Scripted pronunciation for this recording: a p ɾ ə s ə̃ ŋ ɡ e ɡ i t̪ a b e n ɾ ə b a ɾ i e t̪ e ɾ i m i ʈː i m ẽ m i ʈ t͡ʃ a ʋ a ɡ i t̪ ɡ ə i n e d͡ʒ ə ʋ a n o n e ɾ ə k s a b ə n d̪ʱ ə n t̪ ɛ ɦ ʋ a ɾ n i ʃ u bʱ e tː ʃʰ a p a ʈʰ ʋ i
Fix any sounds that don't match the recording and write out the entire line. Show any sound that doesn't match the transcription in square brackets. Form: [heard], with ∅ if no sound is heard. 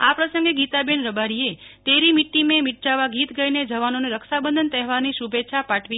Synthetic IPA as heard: a p ɾ ə s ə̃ ŋ ɡ e ɡ i t̪ a b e n ɾ ə b a ɾ i e t̪ e ɾ i m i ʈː i m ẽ m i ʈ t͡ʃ a ʋ a ɡ i t̪ ɡ ə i n e d͡ʒ ə ʋ a n o n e ɾ ə k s a b ə n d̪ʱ ə n t̪ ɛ ɦ ʋ a ɾ n i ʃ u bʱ e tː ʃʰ a p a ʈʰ ʋ i